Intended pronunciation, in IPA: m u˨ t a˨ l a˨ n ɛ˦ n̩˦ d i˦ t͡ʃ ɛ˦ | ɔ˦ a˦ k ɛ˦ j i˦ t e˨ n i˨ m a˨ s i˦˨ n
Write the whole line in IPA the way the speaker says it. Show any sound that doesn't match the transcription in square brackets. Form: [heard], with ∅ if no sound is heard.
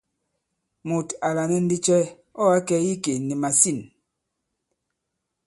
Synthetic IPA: m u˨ t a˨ l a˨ n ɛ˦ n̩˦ d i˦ t͡ʃ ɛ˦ | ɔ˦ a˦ k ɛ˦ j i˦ [k] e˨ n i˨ m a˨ s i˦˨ n